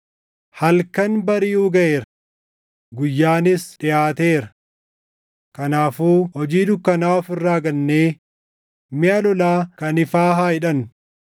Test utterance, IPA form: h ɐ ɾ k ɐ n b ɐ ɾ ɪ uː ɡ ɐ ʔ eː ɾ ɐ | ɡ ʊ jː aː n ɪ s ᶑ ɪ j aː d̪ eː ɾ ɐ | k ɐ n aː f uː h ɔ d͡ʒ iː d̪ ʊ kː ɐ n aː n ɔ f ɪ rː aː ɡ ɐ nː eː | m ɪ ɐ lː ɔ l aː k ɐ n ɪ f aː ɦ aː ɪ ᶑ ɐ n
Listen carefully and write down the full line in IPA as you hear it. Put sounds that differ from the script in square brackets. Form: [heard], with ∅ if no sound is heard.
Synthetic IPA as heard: h ɐ [l] k ɐ n b ɐ ɾ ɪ uː ɡ ɐ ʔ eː ɾ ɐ | ɡ ʊ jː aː n ɪ s ᶑ ɪ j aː [t̪] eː ɾ ɐ | k ɐ n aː f uː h ɔ d͡ʒ iː d̪ ʊ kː ɐ n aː [∅] ɔ f ɪ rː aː ɡ ɐ nː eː | m ɪ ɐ [l] ɔ l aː k ɐ n ɪ f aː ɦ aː ɪ ᶑ ɐ n